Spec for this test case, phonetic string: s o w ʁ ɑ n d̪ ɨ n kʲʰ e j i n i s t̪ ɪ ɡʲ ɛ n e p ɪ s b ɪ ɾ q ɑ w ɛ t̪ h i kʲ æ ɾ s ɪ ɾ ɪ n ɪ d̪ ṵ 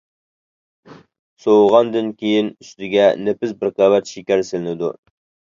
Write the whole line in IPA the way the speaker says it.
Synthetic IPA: s o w ʁ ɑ n d̪ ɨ n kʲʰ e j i n y s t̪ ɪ ɡʲ ɛ n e p ɪ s b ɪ ɾ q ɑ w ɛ t̪ ʃ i kʲ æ ɾ s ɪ l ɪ n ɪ d̪ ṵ